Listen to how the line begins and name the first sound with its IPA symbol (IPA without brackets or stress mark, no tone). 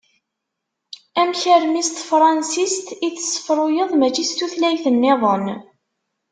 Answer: æ